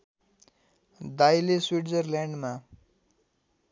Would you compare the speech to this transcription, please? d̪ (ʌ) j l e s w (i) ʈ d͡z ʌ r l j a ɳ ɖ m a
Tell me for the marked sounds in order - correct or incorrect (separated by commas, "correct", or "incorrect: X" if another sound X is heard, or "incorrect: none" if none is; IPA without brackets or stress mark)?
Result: incorrect: a, correct